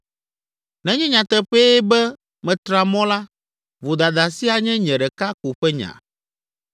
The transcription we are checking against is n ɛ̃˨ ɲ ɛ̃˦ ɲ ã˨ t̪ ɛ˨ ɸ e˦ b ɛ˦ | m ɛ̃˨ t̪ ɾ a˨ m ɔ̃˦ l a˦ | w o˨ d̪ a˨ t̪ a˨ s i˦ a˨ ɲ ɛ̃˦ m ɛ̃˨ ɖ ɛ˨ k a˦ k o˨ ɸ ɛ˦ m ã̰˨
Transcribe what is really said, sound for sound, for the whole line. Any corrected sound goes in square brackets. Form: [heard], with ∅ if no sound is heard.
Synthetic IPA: n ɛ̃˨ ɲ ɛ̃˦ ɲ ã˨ t̪ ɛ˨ ɸ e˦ b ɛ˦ | m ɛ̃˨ t̪ ɾ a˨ m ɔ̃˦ l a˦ | [v] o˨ d̪ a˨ [d̪] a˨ s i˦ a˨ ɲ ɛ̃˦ [ɲ] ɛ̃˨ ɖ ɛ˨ k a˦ k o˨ ɸ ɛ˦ [ɲ] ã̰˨